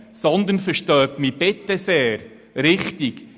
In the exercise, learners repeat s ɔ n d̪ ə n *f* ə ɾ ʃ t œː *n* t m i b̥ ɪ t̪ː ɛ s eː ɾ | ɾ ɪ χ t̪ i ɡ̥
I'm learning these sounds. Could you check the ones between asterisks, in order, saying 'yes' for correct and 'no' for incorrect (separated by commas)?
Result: yes, no